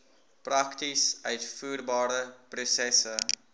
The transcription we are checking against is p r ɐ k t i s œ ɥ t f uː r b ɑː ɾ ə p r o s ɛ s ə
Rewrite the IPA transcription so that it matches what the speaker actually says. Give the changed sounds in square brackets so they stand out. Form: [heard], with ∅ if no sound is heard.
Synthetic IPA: p r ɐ k t i s œ ɥ t f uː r b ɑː ɾ ə p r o s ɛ s ə